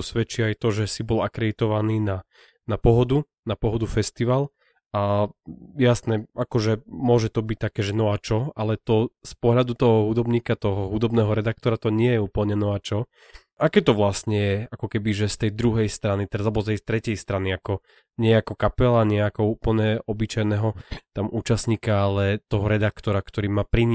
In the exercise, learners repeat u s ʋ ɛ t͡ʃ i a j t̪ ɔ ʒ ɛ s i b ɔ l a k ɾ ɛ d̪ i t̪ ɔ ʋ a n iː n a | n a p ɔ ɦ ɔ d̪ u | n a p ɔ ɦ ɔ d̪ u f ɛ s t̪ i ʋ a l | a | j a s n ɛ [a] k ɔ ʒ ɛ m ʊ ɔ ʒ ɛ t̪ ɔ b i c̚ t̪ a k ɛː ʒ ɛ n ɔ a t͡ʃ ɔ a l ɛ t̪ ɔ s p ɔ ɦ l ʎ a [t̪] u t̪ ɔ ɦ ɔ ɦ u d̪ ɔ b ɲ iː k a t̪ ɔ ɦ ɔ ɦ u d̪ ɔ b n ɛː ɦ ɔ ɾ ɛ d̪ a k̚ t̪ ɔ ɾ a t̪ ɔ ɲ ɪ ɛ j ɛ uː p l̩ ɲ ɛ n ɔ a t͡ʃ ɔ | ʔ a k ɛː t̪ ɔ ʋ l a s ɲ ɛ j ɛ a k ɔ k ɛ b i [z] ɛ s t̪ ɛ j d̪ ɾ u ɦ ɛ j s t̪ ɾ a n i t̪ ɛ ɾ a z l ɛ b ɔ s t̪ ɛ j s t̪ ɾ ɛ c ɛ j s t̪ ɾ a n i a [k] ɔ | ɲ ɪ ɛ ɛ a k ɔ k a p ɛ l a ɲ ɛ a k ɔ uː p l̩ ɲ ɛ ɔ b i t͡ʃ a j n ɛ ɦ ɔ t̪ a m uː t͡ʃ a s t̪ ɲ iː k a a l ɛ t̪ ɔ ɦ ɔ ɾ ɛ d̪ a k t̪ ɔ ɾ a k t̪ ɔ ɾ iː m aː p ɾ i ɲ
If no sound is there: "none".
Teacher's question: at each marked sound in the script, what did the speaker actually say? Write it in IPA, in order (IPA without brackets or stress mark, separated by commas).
a, d̪, ʒ, k